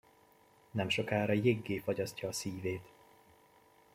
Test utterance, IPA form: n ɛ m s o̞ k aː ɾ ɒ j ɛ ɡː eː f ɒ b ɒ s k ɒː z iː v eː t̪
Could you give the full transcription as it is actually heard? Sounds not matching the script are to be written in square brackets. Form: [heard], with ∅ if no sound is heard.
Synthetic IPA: n ɛ m [ʃ] o̞ k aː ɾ ɒ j [e] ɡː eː f ɒ [ɟ] ɒ s [c] ɒː [s] iː v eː t̪